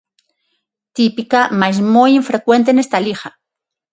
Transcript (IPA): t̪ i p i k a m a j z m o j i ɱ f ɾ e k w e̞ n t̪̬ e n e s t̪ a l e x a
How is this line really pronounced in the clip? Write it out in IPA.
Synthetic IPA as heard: t̪ i p i k a m a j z m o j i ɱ f ɾ e k w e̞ n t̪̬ e n e s t̪ a l i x a

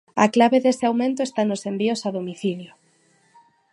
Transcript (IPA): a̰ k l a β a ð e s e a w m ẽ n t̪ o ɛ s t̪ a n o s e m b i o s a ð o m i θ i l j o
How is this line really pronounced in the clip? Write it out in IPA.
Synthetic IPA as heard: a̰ k l a β e ð e s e a w m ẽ n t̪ o e s t̪ a n o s e m b i o s a ð o m i θ i l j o

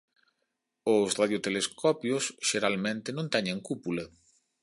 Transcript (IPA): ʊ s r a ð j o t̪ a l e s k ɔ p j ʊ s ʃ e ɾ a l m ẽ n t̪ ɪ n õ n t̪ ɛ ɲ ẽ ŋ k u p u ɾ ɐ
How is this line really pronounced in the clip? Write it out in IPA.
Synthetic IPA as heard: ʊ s r a ð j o t̪ e l e s k ɔ p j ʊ s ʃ e ɾ a l m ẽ n t̪ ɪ n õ n t̪ ɛ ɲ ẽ ŋ k u p u l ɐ

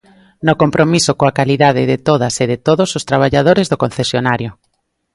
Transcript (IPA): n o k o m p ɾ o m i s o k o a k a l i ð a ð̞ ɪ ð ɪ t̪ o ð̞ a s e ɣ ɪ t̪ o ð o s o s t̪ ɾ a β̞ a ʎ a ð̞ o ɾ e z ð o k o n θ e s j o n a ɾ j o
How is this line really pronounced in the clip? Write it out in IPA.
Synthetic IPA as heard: n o k o m p ɾ o m i s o k o a k a l i ð a ð̞ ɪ ð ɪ t̪ o ð̞ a s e ð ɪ t̪ o ð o s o s t̪ ɾ a β̞ a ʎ a ð̞ o ɾ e z ð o k o n θ e s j o n a ɾ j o

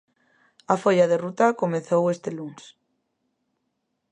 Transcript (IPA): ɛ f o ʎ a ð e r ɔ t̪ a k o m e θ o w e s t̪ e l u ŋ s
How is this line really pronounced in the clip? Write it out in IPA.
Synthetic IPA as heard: a f o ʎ a ð e r u t̪ a k o m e θ o w e s t̪ e l u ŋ s

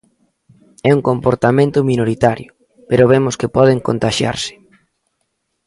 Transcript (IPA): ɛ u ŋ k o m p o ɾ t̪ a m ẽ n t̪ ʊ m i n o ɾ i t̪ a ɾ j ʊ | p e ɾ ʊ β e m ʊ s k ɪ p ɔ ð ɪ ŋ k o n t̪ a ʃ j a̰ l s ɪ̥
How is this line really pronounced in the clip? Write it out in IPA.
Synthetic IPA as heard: ɛ u ŋ k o m p o ɾ t̪ a m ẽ n t̪ ʊ m i n o ɾ i t̪ a ɾ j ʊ | p e ɾ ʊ β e m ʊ s k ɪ p ɔ ð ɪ ŋ k o n t̪ a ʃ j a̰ ɾ s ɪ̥

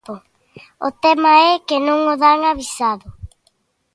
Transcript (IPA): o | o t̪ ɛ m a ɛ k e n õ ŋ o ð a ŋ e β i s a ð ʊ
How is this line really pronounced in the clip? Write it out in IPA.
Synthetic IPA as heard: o | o t̪ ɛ m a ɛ k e n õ ŋ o ð a ŋ a β i s a ð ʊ

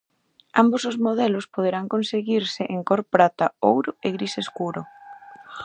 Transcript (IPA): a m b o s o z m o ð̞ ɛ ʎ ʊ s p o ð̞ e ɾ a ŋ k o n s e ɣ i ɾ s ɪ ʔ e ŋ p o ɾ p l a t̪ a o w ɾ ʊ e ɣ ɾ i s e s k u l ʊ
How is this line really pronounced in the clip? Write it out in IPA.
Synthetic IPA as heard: a m b o s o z m o ð̞ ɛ l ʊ s p o ð̞ e ɾ a ŋ k o n s e ɣ i ɾ s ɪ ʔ e ŋ k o ɾ p ɾ a t̪ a o w ɾ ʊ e ɣ ɾ i s e s k u ɾ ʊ

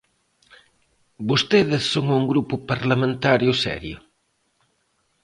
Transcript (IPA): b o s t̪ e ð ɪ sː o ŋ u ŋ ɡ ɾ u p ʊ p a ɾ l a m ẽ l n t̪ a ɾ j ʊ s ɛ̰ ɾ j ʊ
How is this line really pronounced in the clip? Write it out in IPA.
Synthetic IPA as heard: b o s t̪ e ð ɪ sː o ŋ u ŋ ɡ ɾ u p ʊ p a ɾ l a m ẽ n t̪ a ɾ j ʊ s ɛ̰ ɾ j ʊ

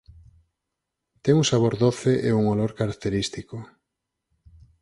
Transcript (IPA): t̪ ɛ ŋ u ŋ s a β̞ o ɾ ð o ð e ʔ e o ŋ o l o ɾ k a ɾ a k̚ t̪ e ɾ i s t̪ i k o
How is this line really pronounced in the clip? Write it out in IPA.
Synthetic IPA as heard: t̪ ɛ ŋ u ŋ s a β̞ o ɾ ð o θ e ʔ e u ŋ o l o ɾ k a ɾ a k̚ t̪ e ɾ i s t̪ i k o

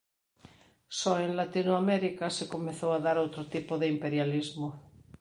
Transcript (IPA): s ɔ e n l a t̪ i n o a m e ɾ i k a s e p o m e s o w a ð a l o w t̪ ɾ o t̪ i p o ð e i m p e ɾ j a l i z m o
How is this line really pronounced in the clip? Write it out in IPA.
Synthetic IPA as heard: s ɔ e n l a t̪ i n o a m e ɾ i k a s e k o m e θ o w a ð a ɾ o w t̪ ɾ o t̪ i p o ð e i m p e ɾ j a l i z m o

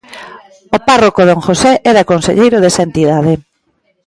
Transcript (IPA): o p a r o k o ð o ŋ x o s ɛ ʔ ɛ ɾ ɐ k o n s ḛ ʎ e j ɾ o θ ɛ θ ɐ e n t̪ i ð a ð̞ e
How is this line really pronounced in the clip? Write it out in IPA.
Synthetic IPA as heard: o p a r o k o ð o ŋ x o s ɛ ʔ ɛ ɾ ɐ k o n s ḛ ʎ e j ɾ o ð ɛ s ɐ e n t̪ i ð a ð̞ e

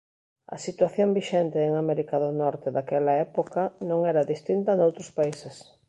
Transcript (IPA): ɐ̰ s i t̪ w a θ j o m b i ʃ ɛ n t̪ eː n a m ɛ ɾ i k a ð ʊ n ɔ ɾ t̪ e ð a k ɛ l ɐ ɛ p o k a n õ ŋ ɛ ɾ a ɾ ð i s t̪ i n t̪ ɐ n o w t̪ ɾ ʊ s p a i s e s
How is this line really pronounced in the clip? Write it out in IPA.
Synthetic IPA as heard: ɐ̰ s i t̪ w a θ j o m b i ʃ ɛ n t̪ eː ŋ a m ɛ ɾ i k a ð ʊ n ɔ ɾ t̪ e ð a k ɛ l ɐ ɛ p o k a n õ ŋ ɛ ɾ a ð i s t̪ i n t̪ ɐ n o w t̪ ɾ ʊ s p a i s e s

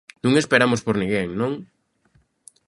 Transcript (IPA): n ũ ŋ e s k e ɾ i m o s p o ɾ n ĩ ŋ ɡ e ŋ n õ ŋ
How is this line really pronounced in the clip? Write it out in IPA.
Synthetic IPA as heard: n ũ ŋ e s p e ɾ a m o s p o ɾ n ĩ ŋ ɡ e ŋ n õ ŋ

